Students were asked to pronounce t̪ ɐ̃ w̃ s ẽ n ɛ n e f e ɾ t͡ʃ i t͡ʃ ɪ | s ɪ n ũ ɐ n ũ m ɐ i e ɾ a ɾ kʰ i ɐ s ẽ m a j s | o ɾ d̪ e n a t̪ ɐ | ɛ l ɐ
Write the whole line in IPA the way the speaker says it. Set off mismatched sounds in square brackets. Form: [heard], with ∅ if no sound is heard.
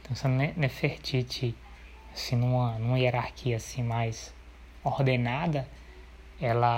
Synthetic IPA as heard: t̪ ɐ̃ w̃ s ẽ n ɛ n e f e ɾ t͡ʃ i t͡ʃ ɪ | s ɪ n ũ ɐ n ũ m ɐ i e ɾ a ɾ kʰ i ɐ s [ĩ] m a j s | o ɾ d̪ e n a [d̪] ɐ | ɛ l ɐ